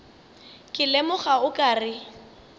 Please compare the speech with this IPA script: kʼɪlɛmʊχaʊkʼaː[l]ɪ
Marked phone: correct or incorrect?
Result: incorrect